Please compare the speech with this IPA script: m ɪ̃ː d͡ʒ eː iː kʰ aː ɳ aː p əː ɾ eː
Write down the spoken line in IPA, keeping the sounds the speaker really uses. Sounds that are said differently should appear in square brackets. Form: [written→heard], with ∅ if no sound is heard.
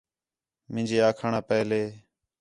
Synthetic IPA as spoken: m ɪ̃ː d͡ʒ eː [iː→aː] kʰ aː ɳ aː p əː [ɾ→l] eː